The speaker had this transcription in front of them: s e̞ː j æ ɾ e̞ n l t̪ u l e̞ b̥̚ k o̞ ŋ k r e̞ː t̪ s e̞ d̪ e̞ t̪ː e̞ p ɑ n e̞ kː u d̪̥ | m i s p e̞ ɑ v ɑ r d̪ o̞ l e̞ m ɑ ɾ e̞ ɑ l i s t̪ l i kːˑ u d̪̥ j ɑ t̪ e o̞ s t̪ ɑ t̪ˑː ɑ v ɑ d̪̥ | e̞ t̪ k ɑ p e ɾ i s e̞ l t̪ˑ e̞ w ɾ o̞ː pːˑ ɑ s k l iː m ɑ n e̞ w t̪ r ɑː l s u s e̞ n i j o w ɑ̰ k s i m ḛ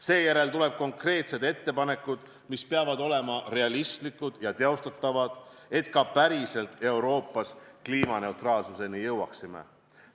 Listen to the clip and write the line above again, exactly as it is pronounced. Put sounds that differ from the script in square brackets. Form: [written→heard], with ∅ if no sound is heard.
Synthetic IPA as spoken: s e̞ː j æ ɾ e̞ [n→∅] l t̪ u l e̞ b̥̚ k o̞ ŋ k r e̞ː t̪ s e̞ d̪ e̞ t̪ː e̞ p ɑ n e̞ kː u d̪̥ | m i s p e̞ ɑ v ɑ [r→∅] d̪ o̞ l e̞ m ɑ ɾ e̞ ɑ l i s t̪ l i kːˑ u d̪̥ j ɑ t̪ e o̞ s t̪ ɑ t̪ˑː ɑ v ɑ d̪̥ | e̞ t̪ k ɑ p [e→æ] ɾ i s e̞ l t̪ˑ e̞ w ɾ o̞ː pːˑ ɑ s k l iː m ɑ n e̞ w t̪ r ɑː l s u s e̞ n i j [o→ɤ] w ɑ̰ k s i m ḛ